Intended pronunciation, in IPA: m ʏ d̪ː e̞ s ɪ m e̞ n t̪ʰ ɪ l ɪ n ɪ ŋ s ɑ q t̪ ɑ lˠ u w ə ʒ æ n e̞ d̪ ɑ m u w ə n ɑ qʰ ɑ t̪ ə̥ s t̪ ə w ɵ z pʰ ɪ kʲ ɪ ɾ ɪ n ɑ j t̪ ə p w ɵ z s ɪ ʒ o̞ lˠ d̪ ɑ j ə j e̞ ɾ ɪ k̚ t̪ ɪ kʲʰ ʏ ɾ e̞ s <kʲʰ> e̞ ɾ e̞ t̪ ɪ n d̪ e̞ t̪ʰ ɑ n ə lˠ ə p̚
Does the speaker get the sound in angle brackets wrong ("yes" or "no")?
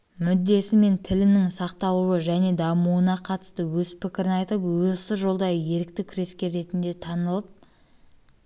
yes